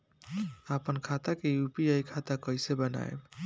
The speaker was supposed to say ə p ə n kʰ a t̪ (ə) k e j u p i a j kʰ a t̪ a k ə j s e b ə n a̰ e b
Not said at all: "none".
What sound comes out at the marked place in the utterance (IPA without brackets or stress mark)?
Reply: a